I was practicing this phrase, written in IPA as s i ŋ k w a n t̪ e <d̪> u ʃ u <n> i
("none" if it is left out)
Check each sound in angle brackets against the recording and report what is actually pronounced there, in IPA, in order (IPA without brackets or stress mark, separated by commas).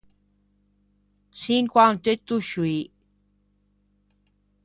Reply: t̪, none